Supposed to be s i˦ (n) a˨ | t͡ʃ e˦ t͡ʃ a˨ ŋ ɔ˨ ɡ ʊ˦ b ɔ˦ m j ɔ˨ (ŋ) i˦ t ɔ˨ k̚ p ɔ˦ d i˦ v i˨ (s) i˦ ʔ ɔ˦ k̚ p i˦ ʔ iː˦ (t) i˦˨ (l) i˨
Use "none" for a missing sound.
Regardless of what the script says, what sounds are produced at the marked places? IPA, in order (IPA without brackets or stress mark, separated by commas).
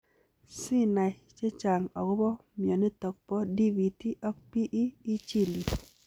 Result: n, n, t, t͡ʃ, l